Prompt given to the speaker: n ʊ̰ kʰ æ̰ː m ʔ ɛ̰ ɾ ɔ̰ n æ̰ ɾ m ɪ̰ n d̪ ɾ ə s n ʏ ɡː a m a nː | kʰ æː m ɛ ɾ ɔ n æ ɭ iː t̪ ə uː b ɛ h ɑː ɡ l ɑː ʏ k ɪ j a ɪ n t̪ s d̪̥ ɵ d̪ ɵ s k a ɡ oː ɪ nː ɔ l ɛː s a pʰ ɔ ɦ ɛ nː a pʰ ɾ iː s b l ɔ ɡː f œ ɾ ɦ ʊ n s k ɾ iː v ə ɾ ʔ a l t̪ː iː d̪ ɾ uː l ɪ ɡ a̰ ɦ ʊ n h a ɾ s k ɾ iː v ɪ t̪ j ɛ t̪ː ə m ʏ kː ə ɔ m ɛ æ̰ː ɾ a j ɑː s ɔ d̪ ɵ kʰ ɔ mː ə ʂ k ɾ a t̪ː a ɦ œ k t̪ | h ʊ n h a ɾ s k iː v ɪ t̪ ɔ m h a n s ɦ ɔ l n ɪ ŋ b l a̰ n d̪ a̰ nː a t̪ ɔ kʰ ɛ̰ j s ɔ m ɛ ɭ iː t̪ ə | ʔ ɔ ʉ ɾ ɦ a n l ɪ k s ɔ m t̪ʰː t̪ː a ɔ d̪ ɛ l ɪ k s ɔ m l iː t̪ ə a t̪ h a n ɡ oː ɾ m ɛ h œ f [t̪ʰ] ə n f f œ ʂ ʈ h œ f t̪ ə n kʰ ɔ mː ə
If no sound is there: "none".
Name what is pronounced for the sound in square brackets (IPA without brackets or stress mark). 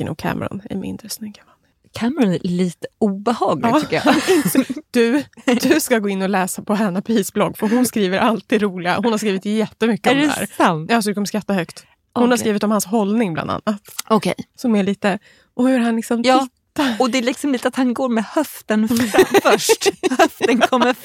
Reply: t̪